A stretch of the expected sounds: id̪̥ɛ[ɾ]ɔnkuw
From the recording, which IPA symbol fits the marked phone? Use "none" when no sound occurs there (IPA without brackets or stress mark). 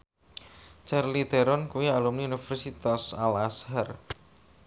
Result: ɾ